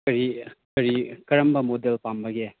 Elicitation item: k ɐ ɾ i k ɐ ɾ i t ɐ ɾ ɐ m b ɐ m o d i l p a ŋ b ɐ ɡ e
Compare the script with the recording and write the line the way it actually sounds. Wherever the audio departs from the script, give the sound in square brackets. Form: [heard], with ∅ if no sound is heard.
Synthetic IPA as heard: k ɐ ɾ i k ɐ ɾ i [k] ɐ ɾ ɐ m b ɐ m o d [e] l p a [m] b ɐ ɡ e

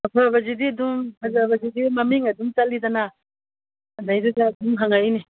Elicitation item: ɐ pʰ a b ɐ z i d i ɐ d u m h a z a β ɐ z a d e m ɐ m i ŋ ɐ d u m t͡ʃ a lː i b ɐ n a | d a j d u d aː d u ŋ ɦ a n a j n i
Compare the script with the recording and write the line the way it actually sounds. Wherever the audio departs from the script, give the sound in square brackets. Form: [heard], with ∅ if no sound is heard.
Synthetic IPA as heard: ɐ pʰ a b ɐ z i d i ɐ d u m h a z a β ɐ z [i] d [i] m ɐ m i ŋ ɐ d u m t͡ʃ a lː i [d] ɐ n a | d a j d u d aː d u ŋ ɦ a [ŋ] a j n i

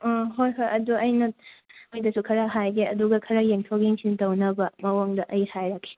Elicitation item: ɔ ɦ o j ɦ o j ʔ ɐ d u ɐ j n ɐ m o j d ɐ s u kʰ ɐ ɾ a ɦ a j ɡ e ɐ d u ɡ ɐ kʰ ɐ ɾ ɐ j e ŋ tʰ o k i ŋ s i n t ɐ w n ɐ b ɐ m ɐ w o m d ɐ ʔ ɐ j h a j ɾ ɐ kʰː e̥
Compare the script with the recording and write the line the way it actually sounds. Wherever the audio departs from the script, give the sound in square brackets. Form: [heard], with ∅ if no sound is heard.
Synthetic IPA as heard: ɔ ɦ o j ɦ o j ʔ ɐ d u ɐ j n ɐ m o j d ɐ s u kʰ ɐ ɾ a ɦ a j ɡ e ɐ d u ɡ ɐ kʰ ɐ ɾ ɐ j e ŋ tʰ o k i ŋ s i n t ɐ w n ɐ b ɐ m ɐ w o [ŋ] d ɐ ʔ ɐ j h a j ɾ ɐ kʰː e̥

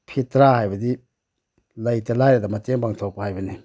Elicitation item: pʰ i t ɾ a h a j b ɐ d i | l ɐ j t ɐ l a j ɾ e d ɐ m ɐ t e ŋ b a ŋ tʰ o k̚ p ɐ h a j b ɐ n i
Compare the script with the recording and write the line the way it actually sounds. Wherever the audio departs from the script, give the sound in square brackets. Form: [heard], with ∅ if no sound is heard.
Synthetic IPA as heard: pʰ i t ɾ a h a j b ɐ d i | l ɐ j t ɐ l a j ɾ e d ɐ m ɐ t e ŋ b a ŋ tʰ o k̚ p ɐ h a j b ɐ n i

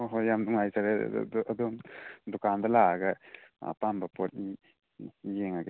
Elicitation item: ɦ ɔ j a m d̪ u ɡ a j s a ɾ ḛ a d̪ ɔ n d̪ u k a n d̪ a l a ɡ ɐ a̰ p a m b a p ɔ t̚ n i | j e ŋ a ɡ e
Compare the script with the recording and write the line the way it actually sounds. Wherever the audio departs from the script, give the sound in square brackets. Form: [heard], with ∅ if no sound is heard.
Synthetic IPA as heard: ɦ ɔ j a m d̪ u [ŋ] a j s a ɾ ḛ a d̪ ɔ [m] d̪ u k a n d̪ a l a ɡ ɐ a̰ p a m b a p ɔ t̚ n i | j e ŋ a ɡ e

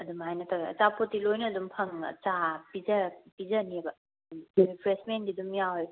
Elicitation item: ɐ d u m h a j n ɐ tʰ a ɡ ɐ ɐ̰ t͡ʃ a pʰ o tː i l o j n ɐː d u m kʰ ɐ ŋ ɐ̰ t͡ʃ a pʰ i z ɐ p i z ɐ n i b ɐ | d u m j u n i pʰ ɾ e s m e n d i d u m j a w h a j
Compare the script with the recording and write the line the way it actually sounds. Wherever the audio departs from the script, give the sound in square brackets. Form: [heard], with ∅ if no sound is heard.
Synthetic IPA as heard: ɐ d u m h a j n ɐ tʰ a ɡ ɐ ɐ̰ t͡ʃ a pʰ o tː i l o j n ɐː d u m [pʰ] ɐ ŋ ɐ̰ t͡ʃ a [p] i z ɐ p i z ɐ n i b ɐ | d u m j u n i pʰ ɾ e s m e n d i d u m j a w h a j

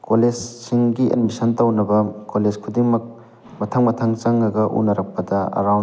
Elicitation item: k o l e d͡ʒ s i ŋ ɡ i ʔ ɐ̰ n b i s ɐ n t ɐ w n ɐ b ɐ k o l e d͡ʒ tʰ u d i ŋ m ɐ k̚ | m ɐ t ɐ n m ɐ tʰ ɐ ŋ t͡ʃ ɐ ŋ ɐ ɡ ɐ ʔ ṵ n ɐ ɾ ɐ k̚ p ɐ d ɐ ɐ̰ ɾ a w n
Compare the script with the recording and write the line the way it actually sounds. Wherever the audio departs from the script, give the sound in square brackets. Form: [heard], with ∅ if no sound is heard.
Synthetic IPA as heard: k o l e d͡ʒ s i ŋ ɡ i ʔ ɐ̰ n [m] i s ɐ n t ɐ w n ɐ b ɐ k o l e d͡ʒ [kʰ] u d i ŋ m ɐ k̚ | m ɐ [tʰ] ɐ [ŋ] m ɐ tʰ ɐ ŋ t͡ʃ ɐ ŋ ɐ ɡ ɐ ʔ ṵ n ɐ ɾ ɐ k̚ p ɐ d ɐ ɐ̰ ɾ a w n

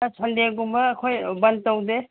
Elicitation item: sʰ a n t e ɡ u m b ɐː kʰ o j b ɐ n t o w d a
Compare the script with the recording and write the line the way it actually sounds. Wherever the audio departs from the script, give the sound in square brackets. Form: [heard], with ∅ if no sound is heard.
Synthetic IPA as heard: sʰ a n [d] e ɡ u m b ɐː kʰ o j b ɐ n t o w d [e]

